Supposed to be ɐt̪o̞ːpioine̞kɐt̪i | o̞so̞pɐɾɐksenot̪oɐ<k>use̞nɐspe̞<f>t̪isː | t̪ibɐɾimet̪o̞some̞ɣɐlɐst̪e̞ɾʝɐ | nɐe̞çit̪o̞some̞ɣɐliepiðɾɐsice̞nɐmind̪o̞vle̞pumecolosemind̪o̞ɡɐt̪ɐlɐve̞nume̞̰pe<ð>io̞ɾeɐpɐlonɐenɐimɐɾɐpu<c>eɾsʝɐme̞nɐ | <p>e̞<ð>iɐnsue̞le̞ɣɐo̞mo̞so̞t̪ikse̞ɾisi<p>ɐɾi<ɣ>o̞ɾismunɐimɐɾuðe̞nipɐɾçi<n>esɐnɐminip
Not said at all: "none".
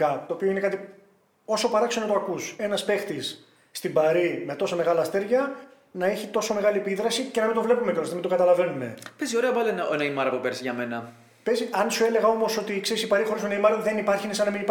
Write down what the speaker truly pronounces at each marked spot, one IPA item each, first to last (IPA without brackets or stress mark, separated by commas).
k, x, z, p, p, z, p, x, n